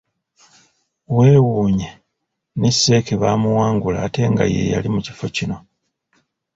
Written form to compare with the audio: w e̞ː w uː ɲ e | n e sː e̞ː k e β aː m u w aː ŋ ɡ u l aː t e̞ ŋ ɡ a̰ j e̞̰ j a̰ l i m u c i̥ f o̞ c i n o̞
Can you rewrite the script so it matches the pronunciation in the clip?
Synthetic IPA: w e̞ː w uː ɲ e | n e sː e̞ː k e β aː m u w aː ŋ ɡ u l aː t e̞ ŋ ɡ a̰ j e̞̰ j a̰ l i m u c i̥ f o̞ c i n o̞

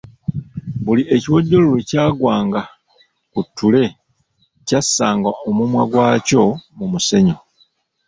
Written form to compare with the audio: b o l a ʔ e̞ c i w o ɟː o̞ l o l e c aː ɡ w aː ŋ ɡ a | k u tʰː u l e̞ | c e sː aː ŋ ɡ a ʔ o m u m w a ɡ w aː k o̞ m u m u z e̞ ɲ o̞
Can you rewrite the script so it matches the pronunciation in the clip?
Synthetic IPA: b u l i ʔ e̞ c i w o ɟː o̞ l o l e c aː ɡ w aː ŋ ɡ a | k u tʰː u l e̞ | c a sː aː ŋ ɡ a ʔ o m u m w a ɡ w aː c o̞ m u m u s e̞ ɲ o̞

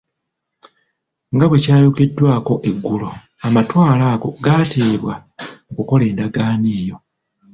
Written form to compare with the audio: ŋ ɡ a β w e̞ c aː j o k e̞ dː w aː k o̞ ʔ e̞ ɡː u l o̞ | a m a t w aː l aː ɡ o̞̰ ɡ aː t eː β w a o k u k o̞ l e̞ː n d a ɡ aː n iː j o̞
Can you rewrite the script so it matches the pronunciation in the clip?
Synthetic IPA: ŋ ɡ a β w e̞ c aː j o k e̞ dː w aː k o̞ ʔ e̞ ɡː u l o̞ | a m a t w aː l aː ɡ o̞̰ ɡ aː t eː β w a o k u k o̞ l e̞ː n d a ɡ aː n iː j o̞

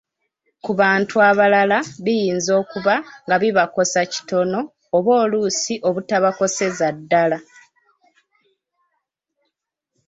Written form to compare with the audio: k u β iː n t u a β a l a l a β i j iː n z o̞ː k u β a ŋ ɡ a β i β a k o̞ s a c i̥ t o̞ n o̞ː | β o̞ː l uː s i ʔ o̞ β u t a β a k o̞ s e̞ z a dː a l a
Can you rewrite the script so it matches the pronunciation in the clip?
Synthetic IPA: k u β aː n t u a β a l a l a β i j iː n z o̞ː k u β a ŋ ɡ a β i β a k o̞ s a c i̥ t o̞ n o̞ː | β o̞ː l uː s i ʔ o̞ β u t a β a k o̞ s e̞ z a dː a l a

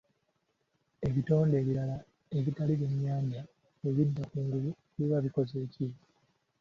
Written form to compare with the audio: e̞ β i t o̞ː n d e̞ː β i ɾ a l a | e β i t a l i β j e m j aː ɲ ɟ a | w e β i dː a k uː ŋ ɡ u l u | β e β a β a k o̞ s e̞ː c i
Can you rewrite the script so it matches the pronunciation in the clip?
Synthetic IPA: e̞ β i t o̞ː n d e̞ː β i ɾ a l a | e β i t a l i β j e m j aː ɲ ɟ a | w e β i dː a k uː ŋ ɡ u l u | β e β a β i k o̞ z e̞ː c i

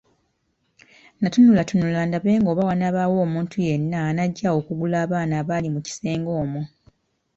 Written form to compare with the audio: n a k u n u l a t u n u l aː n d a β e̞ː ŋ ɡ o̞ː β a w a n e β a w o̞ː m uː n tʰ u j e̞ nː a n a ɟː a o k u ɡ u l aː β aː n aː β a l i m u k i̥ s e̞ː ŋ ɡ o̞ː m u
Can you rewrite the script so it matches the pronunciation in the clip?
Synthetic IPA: n a t u n u l a t u n u l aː n d a β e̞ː ŋ ɡ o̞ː β a w a n a β a w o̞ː m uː n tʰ u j e̞ nː a n a ɟː a o k u ɡ u l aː β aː n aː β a l i m u c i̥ s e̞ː ŋ ɡ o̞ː m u

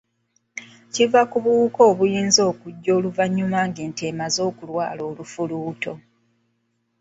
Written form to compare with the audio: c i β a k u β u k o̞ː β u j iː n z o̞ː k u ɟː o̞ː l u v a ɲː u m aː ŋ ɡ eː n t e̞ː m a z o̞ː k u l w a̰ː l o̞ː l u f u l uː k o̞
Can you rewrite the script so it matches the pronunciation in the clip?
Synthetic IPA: c i v a k u β u k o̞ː β u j iː n z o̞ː k u ɟː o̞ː l u v a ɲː u m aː ŋ ɡ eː n t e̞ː m a z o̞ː k u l w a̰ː l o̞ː l u f u l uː t o̞

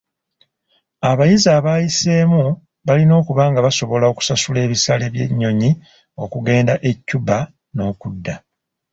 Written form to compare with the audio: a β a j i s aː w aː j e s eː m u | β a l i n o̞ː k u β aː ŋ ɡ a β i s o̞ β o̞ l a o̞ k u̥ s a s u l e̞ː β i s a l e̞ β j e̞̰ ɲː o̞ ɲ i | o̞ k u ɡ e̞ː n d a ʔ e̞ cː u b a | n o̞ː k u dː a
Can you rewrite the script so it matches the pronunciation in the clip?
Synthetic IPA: a β a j i z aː β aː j i s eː m u | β a l i n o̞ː k u β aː ŋ ɡ a β a s o̞ β o̞ l a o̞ k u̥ s a s u l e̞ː β i s a l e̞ β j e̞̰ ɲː o̞ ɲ i | o̞ k u ɡ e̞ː n d a ʔ e̞ cː u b a | n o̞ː k u dː a

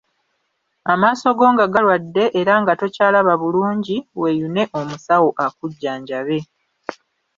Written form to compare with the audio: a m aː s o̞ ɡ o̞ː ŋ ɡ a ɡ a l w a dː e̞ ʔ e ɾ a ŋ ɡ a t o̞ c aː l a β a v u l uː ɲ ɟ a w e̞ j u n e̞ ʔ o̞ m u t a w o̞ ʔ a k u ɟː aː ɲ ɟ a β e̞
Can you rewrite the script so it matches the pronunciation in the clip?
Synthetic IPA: a m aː s o̞ ɡ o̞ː ŋ ɡ a ɡ a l w a dː e̞ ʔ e ɾ a ŋ ɡ a t o̞ c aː l a β a β u l uː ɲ ɟ i w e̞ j u n e̞ ʔ o̞ m u s a w o̞ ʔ a k u ɟː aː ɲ ɟ a β e̞

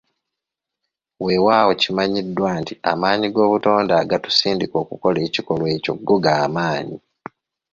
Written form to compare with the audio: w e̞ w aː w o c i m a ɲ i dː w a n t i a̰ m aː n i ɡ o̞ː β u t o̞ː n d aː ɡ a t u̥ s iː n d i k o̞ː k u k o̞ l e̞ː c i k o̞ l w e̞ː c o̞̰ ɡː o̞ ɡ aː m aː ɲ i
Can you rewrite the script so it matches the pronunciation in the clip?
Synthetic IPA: w e̞ w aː w o c i m a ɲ i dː w a n t i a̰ m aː ɲ i ɡ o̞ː β u t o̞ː n d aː ɡ a t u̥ s iː n d i k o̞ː k u k o̞ l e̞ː c i k o̞ l w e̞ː c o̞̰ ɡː o̞ ɡ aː m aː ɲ i

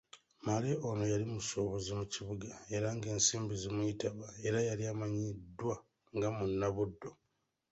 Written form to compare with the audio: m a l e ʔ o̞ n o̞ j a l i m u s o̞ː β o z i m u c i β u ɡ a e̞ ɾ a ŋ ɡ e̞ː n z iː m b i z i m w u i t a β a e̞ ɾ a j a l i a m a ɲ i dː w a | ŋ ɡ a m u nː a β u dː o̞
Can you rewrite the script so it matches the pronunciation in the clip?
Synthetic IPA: m a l e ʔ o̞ n o̞ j a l i m u s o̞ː β o z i m u c i β u ɡ a e̞ ɾ a ŋ ɡ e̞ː n s iː m b i z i m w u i t a β a e̞ ɾ a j a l i a m a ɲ i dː w a | ŋ ɡ a m u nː a β u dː o̞

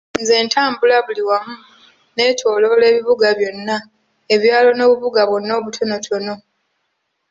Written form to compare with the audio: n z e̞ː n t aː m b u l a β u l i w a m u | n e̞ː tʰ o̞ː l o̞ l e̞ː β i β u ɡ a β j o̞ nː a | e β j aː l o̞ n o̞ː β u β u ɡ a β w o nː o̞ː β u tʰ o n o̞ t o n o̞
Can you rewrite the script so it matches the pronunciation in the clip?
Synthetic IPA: n z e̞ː n t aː m b u l a β u l i w a m u | n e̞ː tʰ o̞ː l o̞ l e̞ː β i β u ɡ a β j o̞ nː a | e β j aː l o̞ n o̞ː β u β u ɡ a β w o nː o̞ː β u tʰ o n o̞ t o n o̞

